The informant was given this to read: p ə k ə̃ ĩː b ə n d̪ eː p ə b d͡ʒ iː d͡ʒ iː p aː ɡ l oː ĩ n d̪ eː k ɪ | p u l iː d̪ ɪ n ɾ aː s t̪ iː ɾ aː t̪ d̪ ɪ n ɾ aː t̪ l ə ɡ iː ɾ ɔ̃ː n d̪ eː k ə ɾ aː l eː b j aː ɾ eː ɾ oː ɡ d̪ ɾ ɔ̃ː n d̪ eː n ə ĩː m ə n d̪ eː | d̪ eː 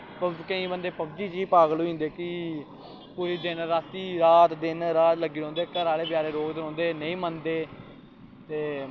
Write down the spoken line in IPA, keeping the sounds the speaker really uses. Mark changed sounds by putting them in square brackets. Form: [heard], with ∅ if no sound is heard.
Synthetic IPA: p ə k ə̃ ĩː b ə n d̪ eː p ə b d͡ʒ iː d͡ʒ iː p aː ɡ l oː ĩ n d̪ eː k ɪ | p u [ɾ] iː d̪ ɪ n ɾ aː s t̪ iː ɾ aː t̪ d̪ ɪ n ɾ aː t̪ l ə ɡ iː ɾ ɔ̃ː n d̪ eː k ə ɾ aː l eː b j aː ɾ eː ɾ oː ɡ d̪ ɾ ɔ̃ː n d̪ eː n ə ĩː m ə n d̪ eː | [t̪] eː